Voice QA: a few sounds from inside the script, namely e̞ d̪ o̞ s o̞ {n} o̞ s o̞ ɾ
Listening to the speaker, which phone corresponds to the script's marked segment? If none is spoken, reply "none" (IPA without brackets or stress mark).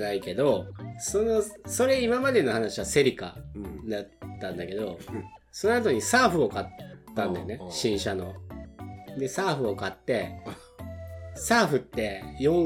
n